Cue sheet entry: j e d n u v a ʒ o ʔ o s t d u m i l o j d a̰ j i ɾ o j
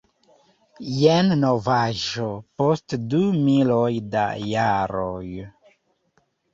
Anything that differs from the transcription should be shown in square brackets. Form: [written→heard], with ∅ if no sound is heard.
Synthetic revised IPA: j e [d→n] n [u→o] v a ʒ o [ʔ→p] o s t d u m i l o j d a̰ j [i→a] ɾ o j